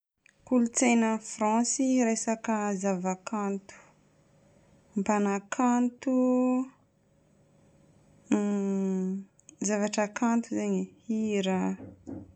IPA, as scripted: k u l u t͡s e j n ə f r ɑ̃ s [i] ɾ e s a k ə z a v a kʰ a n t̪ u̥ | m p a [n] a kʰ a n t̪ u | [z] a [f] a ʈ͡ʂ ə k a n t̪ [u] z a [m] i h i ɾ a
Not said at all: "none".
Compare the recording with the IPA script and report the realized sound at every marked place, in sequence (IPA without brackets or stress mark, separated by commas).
i, n, z, v, u, ɲ